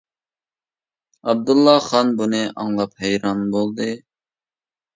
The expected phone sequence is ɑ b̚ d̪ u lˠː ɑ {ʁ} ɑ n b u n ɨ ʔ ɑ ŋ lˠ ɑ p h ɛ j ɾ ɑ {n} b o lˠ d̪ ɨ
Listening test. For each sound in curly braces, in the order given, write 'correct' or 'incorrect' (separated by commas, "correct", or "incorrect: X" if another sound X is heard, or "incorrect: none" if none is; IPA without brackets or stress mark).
incorrect: χ, correct